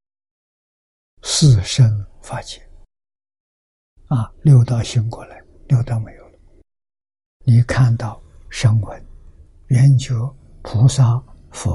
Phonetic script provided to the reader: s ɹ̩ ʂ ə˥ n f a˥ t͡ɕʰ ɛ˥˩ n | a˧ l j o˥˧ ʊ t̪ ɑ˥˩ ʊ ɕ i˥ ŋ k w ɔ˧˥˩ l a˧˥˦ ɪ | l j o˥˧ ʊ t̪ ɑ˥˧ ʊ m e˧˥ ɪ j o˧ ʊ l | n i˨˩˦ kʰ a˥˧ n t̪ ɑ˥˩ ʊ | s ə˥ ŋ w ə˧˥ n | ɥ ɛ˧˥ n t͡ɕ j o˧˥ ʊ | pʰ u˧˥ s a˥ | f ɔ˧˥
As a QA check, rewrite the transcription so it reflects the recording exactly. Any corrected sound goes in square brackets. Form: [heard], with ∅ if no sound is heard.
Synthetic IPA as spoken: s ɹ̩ ʂ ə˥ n f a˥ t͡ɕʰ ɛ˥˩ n | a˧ l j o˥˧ ʊ t̪ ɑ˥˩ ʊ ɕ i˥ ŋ k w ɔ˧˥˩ l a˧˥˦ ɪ | l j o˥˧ ʊ t̪ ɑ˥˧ ʊ m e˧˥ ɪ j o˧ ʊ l | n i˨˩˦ kʰ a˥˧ n t̪ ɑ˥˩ ʊ | [ʂ] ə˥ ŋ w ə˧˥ n | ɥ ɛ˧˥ n t͡ɕ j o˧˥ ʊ | pʰ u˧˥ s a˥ | f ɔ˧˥